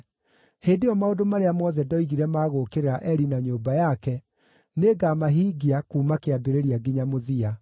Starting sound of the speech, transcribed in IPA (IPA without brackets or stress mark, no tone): h